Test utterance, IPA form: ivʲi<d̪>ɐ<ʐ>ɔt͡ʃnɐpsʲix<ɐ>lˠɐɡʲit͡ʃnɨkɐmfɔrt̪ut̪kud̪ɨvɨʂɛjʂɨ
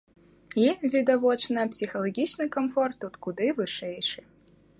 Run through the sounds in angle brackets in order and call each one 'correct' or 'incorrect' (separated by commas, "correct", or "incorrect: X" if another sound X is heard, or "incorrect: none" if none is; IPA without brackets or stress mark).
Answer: correct, incorrect: v, correct